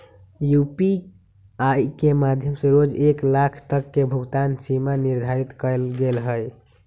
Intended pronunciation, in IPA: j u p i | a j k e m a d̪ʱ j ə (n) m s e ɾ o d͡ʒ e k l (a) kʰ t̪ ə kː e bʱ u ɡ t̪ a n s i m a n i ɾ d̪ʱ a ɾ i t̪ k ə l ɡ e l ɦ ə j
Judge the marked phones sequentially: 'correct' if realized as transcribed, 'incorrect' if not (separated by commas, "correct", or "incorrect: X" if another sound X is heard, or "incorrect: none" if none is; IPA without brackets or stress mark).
incorrect: none, correct